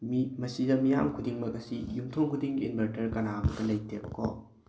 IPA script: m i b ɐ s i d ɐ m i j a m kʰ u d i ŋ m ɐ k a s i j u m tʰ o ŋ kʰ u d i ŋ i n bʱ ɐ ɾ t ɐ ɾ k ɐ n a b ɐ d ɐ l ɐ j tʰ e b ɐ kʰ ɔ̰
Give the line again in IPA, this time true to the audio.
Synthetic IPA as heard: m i m ɐ s i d ɐ m i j a m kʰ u d i ŋ m ɐ k ɐ s i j u m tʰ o ŋ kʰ u d i ŋ i n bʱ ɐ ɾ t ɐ ɾ k ɐ n a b ɐ d ɐ l ɐ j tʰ e b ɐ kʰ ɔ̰